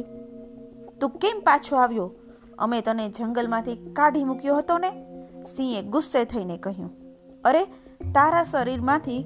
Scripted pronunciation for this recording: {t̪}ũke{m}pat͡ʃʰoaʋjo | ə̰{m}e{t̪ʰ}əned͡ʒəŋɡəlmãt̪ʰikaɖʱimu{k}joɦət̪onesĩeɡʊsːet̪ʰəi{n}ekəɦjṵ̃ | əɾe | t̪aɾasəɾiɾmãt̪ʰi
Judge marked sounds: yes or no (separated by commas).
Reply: yes, yes, yes, no, yes, yes